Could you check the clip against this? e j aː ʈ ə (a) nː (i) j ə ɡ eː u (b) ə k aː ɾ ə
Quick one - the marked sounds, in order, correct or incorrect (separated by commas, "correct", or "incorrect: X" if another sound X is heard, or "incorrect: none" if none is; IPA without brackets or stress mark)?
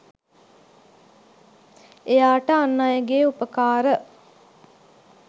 correct, incorrect: a, incorrect: p